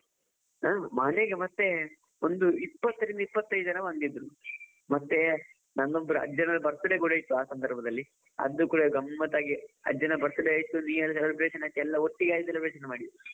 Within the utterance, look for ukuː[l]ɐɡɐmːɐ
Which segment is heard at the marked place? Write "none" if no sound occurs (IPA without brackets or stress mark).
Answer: ɽ